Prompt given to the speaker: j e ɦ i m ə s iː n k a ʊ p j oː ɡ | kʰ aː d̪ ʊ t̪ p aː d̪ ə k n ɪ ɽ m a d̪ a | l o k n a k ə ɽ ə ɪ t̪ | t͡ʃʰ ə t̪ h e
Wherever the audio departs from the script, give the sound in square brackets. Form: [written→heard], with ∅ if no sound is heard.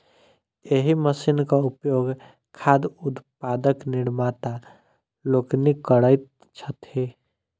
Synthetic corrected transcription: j e ɦ i m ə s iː n k a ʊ p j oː ɡ | kʰ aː d̪ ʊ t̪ p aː d̪ ə k n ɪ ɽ m a [d̪→t̪] a | l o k n [a→i] k ə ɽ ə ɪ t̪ | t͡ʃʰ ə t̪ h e